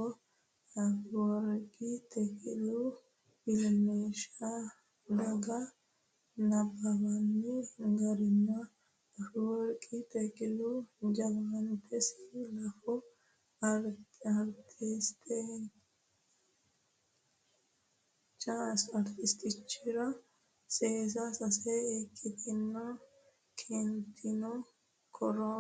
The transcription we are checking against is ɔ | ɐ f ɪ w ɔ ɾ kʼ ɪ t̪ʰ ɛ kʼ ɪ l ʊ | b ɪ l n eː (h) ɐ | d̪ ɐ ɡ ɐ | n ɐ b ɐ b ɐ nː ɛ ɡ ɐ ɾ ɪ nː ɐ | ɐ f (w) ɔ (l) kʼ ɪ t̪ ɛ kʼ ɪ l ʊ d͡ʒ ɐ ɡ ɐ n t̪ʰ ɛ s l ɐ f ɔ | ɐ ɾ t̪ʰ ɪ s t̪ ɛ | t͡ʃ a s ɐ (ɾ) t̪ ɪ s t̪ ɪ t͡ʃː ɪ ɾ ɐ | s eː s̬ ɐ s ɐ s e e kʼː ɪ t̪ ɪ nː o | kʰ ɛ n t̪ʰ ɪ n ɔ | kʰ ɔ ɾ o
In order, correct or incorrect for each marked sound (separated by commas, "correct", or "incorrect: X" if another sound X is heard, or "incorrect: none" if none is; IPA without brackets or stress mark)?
incorrect: ʃ, correct, incorrect: ɾ, correct